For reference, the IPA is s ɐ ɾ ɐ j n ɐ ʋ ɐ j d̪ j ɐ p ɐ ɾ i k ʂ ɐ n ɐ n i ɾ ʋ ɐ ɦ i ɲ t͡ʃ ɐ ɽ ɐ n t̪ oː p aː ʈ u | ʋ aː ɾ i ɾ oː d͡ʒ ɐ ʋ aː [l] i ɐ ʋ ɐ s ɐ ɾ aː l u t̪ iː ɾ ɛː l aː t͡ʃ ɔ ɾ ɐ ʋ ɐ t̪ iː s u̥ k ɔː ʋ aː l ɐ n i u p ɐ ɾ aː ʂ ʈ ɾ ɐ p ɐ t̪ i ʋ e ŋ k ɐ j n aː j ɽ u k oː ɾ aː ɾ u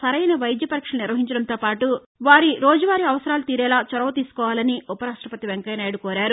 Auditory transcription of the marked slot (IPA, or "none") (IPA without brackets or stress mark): ɾ